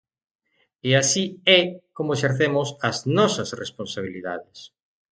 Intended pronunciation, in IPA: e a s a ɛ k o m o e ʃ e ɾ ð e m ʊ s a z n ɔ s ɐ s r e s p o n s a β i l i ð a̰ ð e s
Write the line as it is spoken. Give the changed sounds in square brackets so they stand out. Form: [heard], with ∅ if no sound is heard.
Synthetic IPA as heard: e a s [i] ɛ k o m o e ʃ e ɾ [θ] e m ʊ s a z n ɔ s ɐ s r e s p o n s a β i l i ð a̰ ð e s